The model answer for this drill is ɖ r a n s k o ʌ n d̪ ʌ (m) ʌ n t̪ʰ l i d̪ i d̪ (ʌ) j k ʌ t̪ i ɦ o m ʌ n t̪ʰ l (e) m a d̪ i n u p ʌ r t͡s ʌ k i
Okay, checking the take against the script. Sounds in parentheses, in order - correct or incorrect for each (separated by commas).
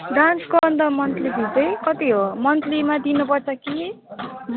correct, correct, incorrect